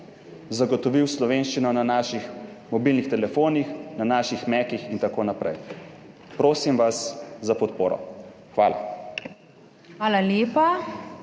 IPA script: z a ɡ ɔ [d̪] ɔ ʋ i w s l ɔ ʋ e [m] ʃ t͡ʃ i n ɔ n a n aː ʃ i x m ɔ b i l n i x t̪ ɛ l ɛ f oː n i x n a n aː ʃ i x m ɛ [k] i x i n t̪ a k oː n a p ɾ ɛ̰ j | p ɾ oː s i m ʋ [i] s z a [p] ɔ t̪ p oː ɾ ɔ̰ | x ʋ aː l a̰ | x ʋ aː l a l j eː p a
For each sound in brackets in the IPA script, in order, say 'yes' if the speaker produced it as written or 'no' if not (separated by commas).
no, no, yes, no, yes